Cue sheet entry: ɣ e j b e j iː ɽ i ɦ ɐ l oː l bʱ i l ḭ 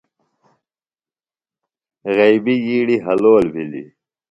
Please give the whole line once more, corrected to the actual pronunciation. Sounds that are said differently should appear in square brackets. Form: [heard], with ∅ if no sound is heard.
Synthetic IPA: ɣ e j b [i] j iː ɽ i ɦ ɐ l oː l bʱ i l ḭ